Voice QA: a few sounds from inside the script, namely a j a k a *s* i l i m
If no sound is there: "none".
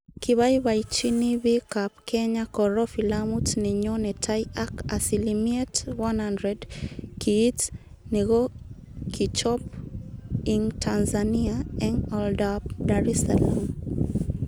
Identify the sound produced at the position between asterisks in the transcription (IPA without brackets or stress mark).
s